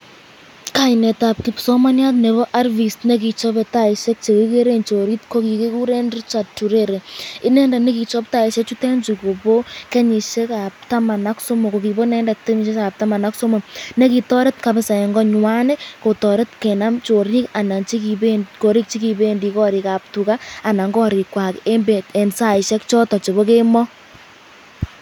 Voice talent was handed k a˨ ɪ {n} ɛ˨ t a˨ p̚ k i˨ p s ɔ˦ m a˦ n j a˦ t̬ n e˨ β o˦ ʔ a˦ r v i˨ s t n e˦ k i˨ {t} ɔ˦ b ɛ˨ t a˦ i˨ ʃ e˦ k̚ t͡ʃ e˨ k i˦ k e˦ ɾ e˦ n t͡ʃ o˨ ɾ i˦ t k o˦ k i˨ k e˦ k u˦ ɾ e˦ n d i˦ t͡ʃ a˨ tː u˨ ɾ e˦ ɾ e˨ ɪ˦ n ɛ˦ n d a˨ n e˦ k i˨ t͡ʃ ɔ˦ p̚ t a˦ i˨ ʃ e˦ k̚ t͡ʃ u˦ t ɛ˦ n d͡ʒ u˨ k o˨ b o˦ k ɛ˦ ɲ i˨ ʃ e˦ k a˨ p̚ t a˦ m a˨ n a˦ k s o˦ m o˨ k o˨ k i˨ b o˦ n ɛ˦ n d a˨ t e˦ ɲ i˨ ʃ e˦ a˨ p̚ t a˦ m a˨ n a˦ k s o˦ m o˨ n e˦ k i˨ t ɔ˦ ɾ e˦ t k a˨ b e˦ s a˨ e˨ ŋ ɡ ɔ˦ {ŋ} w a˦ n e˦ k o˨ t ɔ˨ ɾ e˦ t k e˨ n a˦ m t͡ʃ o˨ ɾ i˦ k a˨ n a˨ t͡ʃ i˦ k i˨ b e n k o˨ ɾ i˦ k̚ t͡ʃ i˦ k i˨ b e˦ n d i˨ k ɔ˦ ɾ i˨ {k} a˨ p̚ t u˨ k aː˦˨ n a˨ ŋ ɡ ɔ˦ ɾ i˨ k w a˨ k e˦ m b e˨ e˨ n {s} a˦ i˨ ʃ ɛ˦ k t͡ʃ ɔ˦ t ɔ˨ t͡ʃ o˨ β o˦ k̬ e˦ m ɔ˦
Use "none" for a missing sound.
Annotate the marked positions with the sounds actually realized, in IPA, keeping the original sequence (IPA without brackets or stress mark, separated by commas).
n, t͡ʃ, ɲ, k, s